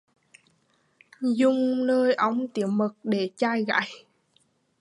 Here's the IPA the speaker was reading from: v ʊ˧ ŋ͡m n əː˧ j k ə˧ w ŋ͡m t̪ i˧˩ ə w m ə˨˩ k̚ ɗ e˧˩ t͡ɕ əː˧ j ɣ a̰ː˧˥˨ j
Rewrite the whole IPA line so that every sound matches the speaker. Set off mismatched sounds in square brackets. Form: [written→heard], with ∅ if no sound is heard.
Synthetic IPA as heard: [v→z] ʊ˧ ŋ͡m n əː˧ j [k→ʔ] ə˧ w ŋ͡m t̪ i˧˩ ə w m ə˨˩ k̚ ɗ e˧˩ t͡ɕ [əː˧→aː˧] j ɣ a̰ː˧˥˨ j